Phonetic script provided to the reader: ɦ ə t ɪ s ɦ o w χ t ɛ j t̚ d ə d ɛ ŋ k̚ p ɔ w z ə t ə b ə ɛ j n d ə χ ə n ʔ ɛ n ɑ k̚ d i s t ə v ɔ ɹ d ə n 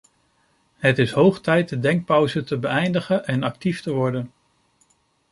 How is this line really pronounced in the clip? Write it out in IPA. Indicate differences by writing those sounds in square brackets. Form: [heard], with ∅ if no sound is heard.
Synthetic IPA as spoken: ɦ ə t ɪ s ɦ o w χ t ɛ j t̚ d ə d ɛ ŋ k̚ p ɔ w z ə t ə b ə ɛ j n d ə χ ə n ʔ ɛ n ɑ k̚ [t] i [f] t ə [ʋ] ɔ ɹ d ə n